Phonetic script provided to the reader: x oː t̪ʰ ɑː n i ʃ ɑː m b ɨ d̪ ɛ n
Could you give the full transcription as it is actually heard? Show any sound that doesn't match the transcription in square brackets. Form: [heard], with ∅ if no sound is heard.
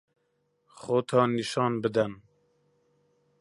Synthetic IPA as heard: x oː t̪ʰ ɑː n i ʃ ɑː [n] b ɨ d̪ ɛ n